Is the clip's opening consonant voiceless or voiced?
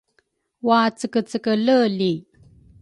voiced